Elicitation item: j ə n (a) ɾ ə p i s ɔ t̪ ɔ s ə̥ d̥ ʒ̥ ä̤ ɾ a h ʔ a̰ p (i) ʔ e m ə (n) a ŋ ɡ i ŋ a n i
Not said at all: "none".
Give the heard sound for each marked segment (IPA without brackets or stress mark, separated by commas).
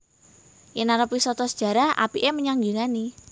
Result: a, i, ɲ